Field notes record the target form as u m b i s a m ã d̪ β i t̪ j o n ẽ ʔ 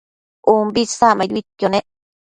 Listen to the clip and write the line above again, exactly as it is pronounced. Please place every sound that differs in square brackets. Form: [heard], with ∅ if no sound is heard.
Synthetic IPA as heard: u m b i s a m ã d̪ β i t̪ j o n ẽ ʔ